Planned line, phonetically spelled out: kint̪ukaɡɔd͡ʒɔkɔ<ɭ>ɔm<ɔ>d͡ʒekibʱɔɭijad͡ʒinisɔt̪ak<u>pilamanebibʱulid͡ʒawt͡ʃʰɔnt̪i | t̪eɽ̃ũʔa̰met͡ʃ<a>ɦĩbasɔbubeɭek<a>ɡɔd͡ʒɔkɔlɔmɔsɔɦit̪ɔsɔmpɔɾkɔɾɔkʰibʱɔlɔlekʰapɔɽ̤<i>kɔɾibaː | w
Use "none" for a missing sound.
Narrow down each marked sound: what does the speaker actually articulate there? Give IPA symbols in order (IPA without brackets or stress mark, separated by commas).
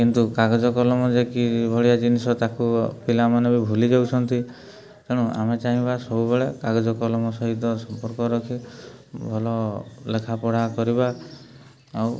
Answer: l, ɔ, u, a, a, a